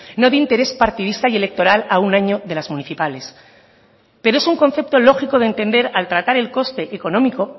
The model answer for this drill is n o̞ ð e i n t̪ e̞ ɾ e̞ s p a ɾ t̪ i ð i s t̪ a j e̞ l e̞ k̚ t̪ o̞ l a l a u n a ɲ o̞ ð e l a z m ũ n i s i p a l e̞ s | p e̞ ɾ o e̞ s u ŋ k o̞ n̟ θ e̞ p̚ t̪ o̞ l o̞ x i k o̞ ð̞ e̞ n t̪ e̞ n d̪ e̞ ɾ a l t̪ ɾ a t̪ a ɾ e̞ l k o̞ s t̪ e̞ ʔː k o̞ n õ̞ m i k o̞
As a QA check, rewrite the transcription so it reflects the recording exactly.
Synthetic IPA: n o̞ ð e i n t̪ e̞ ɾ e̞ s p a ɾ t̪ i ð i s t̪ a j e̞ l e̞ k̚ t̪ o̞ ɾ a l a u n a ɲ o̞ ð e l a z m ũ n i θ i p a l e̞ s | p e̞ ɾ o e̞ s u ŋ k o̞ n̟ θ e̞ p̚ t̪ o̞ l o̞ x i k o̞ ð̞ e̞ n t̪ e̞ n d̪ e̞ ɾ a l t̪ ɾ a t̪ a ɾ e̞ l k o̞ s t̪ e̞ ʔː k o̞ n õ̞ m i k o̞